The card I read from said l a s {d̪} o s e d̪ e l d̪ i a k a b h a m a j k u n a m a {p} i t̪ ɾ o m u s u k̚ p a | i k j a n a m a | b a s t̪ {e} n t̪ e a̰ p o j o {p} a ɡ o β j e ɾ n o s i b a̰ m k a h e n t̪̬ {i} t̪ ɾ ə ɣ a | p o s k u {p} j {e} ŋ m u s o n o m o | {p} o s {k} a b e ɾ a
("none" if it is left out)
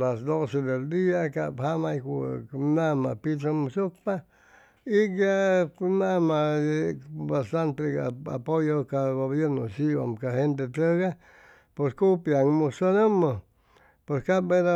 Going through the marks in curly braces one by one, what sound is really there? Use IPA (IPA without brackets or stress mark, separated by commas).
d̪, p, a, k, e, p, a, p, k